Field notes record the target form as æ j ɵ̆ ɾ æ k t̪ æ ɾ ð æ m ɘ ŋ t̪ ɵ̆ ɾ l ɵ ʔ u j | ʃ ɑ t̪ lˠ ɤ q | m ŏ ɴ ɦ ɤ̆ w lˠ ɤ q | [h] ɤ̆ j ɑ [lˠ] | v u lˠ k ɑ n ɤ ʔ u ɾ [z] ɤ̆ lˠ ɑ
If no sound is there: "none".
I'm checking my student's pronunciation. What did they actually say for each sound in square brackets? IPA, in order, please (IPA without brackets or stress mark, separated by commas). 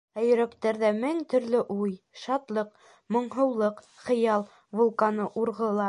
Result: χ, lˠ, ʁ